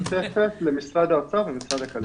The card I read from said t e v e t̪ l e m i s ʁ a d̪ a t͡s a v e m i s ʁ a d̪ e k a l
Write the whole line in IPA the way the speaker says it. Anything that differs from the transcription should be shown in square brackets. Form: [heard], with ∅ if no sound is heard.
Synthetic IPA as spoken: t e [f] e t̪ l e m i s ʁ a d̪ a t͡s a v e m i s ʁ a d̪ [a] k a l

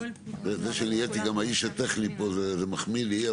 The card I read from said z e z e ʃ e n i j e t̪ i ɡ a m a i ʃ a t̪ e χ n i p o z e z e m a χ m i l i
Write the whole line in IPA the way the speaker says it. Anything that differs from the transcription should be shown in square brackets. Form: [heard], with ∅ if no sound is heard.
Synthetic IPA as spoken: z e z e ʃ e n i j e t̪ i ɡ a m a i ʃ a t̪ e χ n i p o z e z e m a χ m i l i

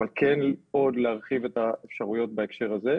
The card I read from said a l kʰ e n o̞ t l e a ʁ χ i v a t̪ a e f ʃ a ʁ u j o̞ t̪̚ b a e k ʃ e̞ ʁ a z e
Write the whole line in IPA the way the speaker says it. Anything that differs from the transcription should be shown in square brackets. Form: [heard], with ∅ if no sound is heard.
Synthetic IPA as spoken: a l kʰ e n o̞ [d] l e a ʁ χ i v [e] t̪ a e f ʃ a ʁ u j o̞ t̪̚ b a e k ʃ e̞ ʁ a z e

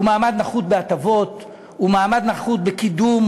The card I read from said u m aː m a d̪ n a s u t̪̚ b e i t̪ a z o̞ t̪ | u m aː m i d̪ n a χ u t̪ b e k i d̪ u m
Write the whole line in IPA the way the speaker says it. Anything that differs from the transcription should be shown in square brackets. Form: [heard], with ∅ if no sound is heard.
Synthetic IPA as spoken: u m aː m a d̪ n a [χ] u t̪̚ b e [a] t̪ a [v] o̞ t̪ | u m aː m [a] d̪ n a χ u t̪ b e k i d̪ u m

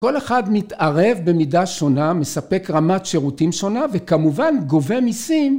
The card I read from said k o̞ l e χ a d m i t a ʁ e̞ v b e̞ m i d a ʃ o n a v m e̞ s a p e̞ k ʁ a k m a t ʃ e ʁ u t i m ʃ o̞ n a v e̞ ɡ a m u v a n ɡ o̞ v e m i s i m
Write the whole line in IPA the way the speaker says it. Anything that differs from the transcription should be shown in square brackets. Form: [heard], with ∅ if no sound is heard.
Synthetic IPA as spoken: k o̞ l e χ a d m i t a ʁ e̞ v b e̞ m i d a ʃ o n a [∅] m e̞ s a p e̞ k ʁ a [∅] m a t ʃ e ʁ u t i m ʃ o̞ n a v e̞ [k] a m u v a n ɡ o̞ v e m i s i m

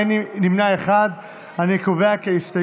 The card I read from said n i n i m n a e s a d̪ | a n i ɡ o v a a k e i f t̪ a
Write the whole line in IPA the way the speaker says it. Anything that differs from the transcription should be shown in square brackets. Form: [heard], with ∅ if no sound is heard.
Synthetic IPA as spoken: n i n i m n a e [χ] a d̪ | a n i [k] o v [e] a k e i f t̪ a

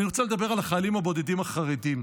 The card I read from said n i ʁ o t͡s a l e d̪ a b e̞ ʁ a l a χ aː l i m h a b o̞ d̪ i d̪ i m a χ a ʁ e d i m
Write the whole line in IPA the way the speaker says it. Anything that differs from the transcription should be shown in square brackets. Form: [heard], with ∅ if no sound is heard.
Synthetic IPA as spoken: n i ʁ o t͡s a l e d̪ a b e̞ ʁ a l a χ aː l i m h a b o̞ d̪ [e] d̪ i m a χ a ʁ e d i m

